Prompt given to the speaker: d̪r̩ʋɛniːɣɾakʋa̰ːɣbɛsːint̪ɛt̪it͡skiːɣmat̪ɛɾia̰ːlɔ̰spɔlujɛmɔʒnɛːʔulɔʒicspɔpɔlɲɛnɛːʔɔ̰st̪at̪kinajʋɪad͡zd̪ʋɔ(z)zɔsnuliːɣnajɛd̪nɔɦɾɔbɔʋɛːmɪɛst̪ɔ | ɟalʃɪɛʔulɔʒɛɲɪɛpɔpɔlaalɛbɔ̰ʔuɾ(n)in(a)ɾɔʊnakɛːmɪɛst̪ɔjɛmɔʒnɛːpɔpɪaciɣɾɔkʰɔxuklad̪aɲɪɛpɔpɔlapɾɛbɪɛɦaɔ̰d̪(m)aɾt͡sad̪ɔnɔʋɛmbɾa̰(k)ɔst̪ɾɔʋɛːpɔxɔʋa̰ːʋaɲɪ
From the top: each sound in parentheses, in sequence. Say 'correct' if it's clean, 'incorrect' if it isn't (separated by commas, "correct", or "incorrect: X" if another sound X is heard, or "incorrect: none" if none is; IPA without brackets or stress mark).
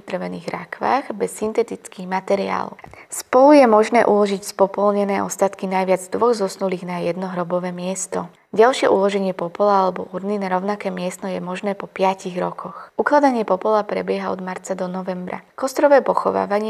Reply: incorrect: ɣ, correct, correct, correct, correct